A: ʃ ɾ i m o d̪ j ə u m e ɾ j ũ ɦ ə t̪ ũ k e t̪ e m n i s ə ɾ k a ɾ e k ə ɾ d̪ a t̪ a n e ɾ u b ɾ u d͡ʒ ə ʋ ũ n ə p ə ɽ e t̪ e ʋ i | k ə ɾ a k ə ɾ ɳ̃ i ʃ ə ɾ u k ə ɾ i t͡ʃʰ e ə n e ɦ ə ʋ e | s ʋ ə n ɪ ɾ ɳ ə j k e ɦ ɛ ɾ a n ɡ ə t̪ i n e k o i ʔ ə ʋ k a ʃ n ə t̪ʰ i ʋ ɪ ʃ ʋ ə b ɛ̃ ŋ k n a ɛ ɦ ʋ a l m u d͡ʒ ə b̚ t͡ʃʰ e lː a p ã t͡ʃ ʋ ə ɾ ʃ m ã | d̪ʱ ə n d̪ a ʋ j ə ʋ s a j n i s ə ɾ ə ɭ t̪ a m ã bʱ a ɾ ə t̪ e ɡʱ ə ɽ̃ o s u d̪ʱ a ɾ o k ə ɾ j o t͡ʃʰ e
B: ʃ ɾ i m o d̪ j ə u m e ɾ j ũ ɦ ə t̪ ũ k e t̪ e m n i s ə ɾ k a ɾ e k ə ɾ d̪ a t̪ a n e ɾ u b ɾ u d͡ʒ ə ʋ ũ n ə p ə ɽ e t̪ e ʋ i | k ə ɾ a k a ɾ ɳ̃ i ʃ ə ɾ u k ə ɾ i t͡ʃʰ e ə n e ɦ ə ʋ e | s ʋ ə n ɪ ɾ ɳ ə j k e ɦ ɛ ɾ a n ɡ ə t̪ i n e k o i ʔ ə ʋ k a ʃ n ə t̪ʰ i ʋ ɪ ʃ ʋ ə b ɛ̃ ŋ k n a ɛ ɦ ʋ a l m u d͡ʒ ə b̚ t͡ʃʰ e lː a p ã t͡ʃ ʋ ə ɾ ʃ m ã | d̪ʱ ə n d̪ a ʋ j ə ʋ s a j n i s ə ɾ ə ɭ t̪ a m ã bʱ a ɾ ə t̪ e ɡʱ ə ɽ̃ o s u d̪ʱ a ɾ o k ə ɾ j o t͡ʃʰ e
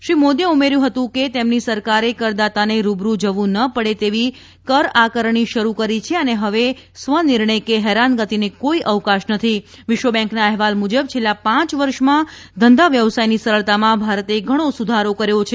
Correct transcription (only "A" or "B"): A